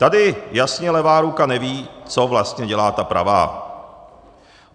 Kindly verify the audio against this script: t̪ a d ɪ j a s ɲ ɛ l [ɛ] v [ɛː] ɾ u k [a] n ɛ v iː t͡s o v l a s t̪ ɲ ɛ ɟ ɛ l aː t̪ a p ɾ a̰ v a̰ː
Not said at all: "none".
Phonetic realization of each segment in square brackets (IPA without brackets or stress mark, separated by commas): ɛ, aː, a